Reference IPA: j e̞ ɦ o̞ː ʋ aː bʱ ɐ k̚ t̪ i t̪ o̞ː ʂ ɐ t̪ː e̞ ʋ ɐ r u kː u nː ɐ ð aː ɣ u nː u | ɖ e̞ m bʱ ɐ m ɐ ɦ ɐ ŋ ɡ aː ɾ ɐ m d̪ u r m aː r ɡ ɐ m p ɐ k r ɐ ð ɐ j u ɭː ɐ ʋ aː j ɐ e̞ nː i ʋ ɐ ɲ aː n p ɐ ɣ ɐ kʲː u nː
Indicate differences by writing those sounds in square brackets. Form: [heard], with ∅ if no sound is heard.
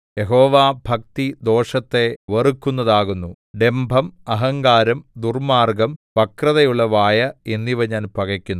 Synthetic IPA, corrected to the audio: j e̞ ɦ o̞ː ʋ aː bʱ ɐ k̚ t̪ i [d̪] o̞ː ʂ ɐ t̪ː e̞ ʋ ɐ r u kː u nː ɐ ð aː ɣ u nː u | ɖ e̞ m bʱ ɐ m ɐ ɦ ɐ ŋ ɡ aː ɾ ɐ m d̪ u r m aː r ɡ ɐ m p ɐ k r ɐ ð ɐ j u ɭː ɐ ʋ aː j ɐ e̞ nː i ʋ ɐ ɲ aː n p ɐ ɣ ɐ kʲː u nː